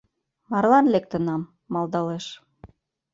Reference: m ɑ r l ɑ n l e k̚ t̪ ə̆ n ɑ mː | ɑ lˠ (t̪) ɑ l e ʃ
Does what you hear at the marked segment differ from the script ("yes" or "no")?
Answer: yes